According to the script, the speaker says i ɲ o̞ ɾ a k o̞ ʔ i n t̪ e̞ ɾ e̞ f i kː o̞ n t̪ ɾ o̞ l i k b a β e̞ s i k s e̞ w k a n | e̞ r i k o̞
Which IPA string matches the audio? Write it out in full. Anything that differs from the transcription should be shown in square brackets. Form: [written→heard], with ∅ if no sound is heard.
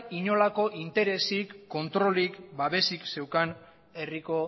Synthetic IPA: i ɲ o̞ [ɾ→l] a k o̞ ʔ i n t̪ e̞ ɾ e̞ [f→s] i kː o̞ n t̪ ɾ o̞ l i k b a β e̞ s i k s e̞ w k a n | e̞ r i k o̞

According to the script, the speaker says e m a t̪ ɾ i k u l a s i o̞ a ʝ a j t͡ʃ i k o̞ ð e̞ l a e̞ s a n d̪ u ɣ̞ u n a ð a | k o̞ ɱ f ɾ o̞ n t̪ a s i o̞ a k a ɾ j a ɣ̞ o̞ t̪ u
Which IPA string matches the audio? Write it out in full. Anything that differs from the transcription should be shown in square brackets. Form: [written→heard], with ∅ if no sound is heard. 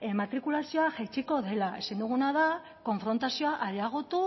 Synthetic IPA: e m a t̪ ɾ i k u l a s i o̞ a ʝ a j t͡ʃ i k o̞ ð e̞ l a e̞ s a n d̪ u ɣ̞ u n a ð a | k o̞ ɱ f ɾ o̞ n t̪ a s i o̞ a [k→ʔ] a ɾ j a ɣ̞ o̞ t̪ u

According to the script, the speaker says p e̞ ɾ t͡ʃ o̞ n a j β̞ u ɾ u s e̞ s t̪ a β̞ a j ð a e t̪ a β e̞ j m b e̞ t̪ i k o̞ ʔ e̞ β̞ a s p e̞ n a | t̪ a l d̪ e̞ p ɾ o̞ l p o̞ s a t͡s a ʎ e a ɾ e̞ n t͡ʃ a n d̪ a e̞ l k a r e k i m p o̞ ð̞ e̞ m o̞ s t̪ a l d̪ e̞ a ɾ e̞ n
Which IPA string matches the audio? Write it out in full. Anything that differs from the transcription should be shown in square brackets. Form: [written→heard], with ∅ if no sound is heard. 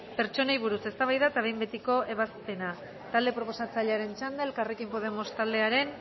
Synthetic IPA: p e̞ ɾ t͡ʃ o̞ n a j β̞ u ɾ u s e̞ s t̪ a β̞ a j ð a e t̪ a β e̞ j m b e̞ t̪ i k o̞ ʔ e̞ β̞ a s p e̞ n a | t̪ a l d̪ e̞ p ɾ o̞ [l→∅] p o̞ s a t͡s a ʎ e a ɾ e̞ n t͡ʃ a n d̪ a e̞ l k a r e k i m p o̞ ð̞ e̞ m o̞ s t̪ a l d̪ e̞ a ɾ e̞ n

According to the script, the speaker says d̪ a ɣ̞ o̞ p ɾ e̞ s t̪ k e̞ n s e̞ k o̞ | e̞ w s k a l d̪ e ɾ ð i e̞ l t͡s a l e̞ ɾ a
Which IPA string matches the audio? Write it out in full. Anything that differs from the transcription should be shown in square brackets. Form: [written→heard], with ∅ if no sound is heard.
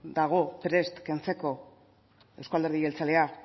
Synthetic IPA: d̪ a ɣ̞ o̞ p ɾ e̞ s t̪ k e̞ n [s→t͡s] e̞ k o̞ | e̞ w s k a l d̪ e ɾ ð i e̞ l t͡s a l e̞ [ɾ→∅] a

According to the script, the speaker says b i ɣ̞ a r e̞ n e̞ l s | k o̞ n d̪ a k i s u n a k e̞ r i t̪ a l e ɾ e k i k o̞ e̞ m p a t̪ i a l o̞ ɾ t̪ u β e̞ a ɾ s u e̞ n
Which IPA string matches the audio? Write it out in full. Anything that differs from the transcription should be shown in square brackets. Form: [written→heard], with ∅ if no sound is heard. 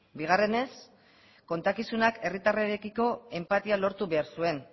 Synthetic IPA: b i ɣ̞ a r e̞ n e̞ [l→∅] s | k o̞ n [d̪→t̪] a k i s u n a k e̞ r i t̪ a [l→r] e ɾ e k i k o̞ e̞ m p a t̪ i a l o̞ ɾ t̪ u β e̞ a ɾ s u e̞ n

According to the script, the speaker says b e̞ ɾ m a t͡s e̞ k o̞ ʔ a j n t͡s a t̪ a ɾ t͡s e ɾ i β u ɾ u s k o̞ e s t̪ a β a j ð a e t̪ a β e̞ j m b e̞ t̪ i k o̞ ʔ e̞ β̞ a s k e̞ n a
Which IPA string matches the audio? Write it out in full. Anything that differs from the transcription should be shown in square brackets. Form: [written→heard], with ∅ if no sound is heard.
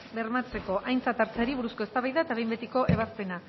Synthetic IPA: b e̞ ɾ m a t͡s e̞ k o̞ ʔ a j n t͡s a t̪ a ɾ t͡s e ɾ i β u ɾ u s k o̞ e s t̪ a β a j ð a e t̪ a β e̞ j m b e̞ t̪ i k o̞ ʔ e̞ β̞ a s [k→p] e̞ n a

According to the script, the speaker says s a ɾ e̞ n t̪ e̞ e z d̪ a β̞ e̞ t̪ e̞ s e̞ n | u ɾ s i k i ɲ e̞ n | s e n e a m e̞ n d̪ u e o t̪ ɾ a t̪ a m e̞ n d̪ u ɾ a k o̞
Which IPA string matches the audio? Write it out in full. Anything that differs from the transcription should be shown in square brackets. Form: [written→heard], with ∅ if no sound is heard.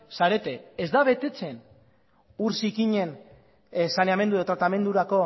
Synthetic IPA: s a ɾ e̞ [n→∅] t̪ e̞ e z d̪ a β̞ e̞ t̪ e̞ [s→t͡s] e̞ n | u ɾ s i k i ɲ e̞ n | s [e→a] n e a m e̞ n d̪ u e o t̪ ɾ a t̪ a m e̞ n d̪ u ɾ a k o̞

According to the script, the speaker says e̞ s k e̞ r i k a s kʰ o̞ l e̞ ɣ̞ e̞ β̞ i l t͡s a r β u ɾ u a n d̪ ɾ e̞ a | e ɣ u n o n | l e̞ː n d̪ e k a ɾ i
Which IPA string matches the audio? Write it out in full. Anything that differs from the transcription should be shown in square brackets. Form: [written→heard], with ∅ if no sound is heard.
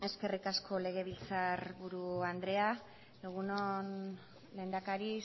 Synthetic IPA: e̞ s k e̞ r i k a s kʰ o̞ l e̞ ɣ̞ e̞ β̞ i l t͡s a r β u ɾ u a n d̪ ɾ e̞ a | e ɣ u n o n | l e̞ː n d̪ [e→a] k a ɾ i

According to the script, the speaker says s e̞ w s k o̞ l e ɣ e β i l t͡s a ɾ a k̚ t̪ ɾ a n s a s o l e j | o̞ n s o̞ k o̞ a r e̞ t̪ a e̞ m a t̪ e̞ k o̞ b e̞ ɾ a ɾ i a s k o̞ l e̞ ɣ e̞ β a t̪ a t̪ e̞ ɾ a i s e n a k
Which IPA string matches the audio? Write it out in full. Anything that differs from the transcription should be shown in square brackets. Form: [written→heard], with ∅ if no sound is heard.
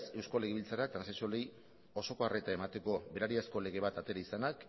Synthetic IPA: s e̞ w s k o̞ l e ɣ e β i l t͡s a ɾ a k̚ t̪ ɾ a n s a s o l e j | o̞ [n→∅] s o̞ k o̞ a r e̞ t̪ a e̞ m a t̪ e̞ k o̞ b e̞ ɾ a ɾ i a s k o̞ l e̞ ɣ e̞ β a t̪ a t̪ e̞ ɾ a i s [e→a] n a k

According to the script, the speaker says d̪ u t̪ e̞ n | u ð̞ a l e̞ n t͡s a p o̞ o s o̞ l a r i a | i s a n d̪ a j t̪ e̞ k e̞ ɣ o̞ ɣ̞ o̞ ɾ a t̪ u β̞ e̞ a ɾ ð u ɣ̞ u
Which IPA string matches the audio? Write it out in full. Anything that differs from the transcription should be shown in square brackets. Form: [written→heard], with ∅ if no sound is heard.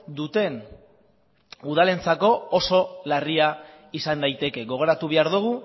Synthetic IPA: d̪ u t̪ e̞ n | u ð̞ a l e̞ n t͡s a [p→k] o̞ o s o̞ l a r i a | i s a n d̪ a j t̪ e̞ k e̞ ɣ o̞ ɣ̞ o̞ ɾ a t̪ u β̞ e̞ a ɾ ð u ɣ̞ u

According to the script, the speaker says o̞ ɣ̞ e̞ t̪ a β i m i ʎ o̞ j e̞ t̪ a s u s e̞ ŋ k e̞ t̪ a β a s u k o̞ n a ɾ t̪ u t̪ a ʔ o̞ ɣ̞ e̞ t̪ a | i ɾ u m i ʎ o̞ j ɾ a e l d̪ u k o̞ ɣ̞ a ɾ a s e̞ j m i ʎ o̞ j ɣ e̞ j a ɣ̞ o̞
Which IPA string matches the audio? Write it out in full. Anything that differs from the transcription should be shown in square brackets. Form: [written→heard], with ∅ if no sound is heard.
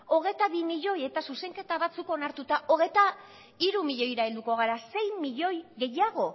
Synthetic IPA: o̞ ɣ̞ e̞ t̪ a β i m i ʎ o̞ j e̞ t̪ a s u s e̞ ŋ k e̞ t̪ a β a [s→t͡s] u k o̞ n a ɾ t̪ u t̪ a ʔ o̞ ɣ̞ e̞ t̪ a | i ɾ u m i ʎ o̞ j ɾ a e l d̪ u k o̞ ɣ̞ a ɾ a s e̞ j m i ʎ o̞ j ɣ e̞ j a ɣ̞ o̞

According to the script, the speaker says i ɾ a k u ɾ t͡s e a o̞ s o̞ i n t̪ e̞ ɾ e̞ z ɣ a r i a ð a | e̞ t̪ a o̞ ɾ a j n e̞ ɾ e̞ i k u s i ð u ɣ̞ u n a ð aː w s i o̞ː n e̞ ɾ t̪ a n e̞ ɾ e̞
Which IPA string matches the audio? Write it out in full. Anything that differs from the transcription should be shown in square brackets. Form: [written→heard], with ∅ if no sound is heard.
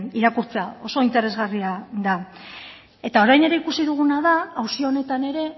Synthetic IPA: i ɾ a k u ɾ t͡s e a o̞ s o̞ i n t̪ e̞ ɾ e̞ z ɣ a r i a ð a | e̞ t̪ a o̞ ɾ a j n e̞ ɾ e̞ i k u s i ð u ɣ̞ u n a ð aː w s i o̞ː n e̞ [ɾ→∅] t̪ a n e̞ ɾ e̞

